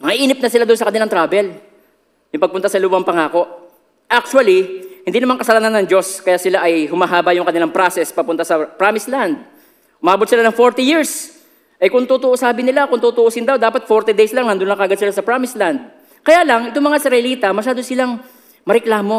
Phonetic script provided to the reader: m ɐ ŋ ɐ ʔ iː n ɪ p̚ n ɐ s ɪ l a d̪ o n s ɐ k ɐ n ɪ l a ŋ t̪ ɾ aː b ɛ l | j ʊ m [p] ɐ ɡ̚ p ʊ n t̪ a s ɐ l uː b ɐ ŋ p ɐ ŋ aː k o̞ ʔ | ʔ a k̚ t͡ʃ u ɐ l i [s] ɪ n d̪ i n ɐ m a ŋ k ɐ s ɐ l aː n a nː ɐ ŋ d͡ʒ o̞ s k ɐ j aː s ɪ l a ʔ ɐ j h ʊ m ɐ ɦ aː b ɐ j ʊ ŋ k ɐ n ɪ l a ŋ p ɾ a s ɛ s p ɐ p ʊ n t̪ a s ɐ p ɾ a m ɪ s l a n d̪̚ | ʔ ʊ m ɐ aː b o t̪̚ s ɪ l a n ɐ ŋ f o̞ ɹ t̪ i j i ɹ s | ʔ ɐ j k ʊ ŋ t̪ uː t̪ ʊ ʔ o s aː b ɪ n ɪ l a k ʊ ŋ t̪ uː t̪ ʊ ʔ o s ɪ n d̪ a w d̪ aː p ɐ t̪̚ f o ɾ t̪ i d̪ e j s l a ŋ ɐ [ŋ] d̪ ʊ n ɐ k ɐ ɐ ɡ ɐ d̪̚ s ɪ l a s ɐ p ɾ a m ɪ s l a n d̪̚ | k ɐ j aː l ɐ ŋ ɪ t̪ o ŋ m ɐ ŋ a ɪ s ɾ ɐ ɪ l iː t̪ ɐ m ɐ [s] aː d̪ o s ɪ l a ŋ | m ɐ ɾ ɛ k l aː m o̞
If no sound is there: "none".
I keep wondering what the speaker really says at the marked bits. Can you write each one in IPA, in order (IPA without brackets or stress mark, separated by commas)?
p, h, n, ʃ